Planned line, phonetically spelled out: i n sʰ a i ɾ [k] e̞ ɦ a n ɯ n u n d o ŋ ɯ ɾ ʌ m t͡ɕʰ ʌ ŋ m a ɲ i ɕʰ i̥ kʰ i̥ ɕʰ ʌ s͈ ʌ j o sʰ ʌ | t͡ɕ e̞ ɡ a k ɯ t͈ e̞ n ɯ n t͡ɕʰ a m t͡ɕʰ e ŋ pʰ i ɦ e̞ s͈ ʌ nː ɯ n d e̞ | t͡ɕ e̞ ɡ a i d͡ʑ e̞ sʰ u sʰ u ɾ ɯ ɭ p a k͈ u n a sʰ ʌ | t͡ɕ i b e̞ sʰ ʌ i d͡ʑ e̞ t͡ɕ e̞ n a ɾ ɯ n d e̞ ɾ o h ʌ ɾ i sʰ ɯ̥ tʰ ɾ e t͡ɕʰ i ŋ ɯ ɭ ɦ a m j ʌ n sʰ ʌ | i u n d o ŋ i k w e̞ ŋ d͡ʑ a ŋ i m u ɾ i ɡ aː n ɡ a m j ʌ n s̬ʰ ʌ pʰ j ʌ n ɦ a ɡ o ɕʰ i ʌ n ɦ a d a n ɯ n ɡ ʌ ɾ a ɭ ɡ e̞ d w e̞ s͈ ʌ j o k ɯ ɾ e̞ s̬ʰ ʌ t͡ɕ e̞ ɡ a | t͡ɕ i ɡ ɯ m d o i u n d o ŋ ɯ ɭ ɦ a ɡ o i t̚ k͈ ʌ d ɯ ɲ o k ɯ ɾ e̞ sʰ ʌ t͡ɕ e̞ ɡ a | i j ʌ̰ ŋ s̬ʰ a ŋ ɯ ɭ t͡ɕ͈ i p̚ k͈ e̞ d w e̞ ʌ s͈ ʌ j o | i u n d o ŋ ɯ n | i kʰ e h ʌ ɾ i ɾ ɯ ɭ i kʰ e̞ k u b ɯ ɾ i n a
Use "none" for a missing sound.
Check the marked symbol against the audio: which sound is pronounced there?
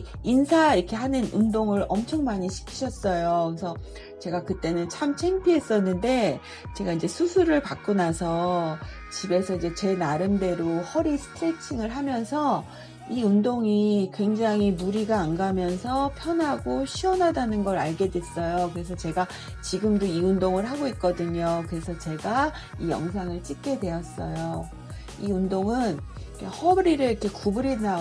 kʰ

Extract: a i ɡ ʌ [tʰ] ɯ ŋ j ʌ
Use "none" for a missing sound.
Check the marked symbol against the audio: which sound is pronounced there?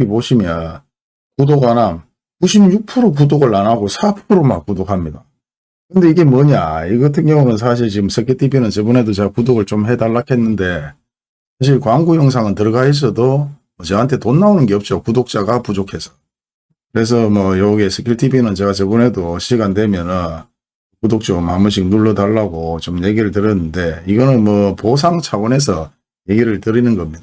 tʰ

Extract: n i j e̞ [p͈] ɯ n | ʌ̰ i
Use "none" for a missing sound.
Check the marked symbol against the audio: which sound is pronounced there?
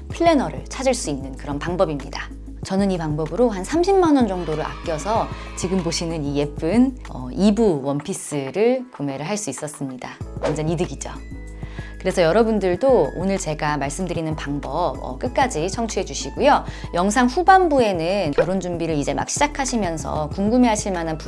p͈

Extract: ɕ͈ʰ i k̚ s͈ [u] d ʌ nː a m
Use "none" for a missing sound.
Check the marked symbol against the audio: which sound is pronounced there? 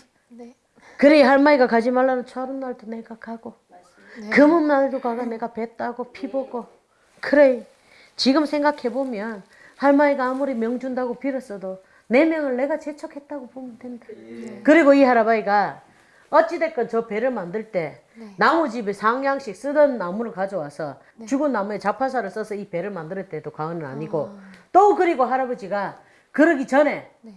ɯ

